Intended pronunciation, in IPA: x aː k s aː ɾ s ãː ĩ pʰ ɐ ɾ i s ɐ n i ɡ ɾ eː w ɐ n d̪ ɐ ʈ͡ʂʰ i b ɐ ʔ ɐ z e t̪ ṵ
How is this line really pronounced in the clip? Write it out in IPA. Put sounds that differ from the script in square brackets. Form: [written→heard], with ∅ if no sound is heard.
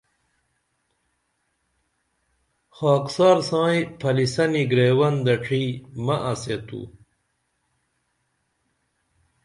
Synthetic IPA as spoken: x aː k s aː ɾ s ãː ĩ pʰ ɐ [ɾ→l] i s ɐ n i ɡ ɾ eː w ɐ n d̪ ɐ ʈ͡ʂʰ i [b→m] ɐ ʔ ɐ [z→s] e t̪ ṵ